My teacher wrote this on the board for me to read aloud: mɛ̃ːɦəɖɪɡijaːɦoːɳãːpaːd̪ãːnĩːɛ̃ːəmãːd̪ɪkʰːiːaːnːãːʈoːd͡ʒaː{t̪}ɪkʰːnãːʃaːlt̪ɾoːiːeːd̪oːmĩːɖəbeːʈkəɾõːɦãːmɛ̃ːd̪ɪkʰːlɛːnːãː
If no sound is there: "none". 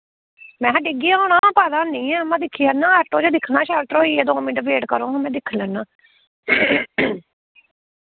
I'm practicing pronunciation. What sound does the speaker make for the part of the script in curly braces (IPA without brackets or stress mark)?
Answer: d̪